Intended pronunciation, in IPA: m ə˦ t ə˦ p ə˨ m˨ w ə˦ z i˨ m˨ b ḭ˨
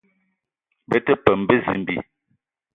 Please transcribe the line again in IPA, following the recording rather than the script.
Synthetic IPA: b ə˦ t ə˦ p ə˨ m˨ b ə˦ z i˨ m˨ b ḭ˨